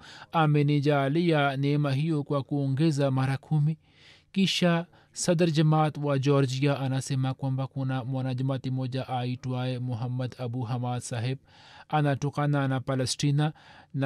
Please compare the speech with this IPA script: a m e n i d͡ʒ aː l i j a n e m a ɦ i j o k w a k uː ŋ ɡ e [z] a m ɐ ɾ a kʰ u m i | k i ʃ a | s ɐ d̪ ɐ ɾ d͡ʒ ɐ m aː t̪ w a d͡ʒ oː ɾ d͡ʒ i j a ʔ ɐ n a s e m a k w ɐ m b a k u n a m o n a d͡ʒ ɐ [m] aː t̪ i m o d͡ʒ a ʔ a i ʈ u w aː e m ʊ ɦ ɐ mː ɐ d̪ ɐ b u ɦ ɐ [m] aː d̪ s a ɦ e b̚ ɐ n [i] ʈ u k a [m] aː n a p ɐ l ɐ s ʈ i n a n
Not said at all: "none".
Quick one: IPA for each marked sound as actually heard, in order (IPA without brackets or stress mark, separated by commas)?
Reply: z, m, m, a, n